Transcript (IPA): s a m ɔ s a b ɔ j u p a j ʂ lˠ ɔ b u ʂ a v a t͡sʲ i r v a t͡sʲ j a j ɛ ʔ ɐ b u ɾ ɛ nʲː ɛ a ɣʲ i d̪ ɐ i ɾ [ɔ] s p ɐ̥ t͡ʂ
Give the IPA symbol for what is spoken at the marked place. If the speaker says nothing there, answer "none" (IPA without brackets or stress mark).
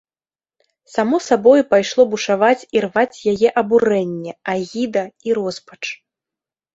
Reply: ɔ